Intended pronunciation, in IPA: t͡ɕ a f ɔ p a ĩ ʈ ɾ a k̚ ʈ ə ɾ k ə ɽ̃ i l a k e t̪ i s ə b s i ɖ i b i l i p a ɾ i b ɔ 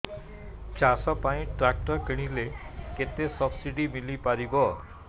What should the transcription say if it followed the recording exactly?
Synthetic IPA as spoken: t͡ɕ a s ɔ p a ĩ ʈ ɾ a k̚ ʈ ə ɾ k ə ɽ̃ i l e k e t̪ e s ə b s i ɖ i m i l i p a ɾ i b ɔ